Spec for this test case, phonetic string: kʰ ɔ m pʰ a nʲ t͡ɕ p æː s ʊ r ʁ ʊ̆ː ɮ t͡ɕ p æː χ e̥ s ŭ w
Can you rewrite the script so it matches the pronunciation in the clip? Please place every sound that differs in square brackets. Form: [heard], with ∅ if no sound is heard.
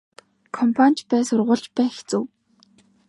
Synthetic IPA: kʰ ɔ m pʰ a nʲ t͡ɕ p æː s ʊ r ʁ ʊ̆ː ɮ t͡ɕ p æː [x] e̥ [t͡s] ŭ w